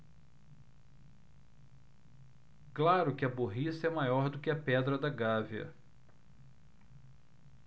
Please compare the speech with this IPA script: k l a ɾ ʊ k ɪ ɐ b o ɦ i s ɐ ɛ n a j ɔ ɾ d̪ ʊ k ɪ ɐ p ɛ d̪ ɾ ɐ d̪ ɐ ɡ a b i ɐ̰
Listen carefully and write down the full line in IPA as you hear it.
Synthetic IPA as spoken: k l a ɾ ʊ k ɪ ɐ b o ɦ i s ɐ ɛ m a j ɔ ɾ d̪ ʊ k ɪ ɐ p ɛ d̪ ɾ ɐ d̪ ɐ ɡ a v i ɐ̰